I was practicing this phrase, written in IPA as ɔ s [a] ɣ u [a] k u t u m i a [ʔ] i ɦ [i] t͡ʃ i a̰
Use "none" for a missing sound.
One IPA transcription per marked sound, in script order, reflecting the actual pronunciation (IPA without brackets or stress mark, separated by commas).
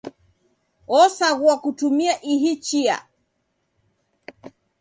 a, a, ʔ, i